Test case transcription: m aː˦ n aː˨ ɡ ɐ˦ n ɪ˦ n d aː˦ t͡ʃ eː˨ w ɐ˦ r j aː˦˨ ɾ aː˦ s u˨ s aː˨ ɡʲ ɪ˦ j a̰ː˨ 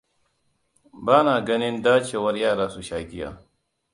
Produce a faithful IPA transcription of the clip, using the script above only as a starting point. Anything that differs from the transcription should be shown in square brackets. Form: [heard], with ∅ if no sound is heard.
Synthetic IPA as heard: [b] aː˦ n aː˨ ɡ ɐ˦ n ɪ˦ n d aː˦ t͡ʃ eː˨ w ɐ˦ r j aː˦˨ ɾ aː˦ s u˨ [ʃ] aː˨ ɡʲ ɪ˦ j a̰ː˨